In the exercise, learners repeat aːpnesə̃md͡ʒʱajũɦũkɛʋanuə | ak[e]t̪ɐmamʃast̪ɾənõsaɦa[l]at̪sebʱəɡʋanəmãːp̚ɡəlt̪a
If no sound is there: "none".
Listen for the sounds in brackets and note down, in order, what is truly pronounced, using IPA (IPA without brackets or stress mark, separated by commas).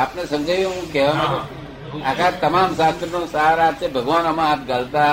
a, ɾ